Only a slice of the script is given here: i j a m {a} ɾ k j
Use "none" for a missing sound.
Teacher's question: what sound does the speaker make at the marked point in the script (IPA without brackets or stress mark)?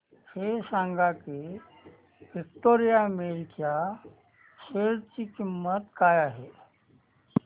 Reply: e